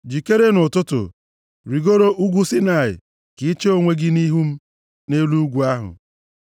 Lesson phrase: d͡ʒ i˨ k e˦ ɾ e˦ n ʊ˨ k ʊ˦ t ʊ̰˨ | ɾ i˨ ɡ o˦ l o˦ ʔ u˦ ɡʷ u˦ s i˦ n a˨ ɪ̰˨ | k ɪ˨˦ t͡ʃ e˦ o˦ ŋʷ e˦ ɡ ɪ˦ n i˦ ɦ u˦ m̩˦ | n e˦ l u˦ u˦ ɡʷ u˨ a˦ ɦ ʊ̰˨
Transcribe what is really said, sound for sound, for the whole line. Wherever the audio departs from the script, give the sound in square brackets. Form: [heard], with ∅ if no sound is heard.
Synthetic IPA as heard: d͡ʒ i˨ k e˦ ɾ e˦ n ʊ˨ [t] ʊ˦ t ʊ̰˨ | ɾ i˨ ɡ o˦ [ɾ] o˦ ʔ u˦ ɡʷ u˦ s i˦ n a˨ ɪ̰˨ | k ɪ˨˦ t͡ʃ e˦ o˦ ŋʷ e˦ ɡ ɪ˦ n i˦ ɦ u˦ m̩˦ | n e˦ l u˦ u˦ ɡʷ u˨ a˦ ɦ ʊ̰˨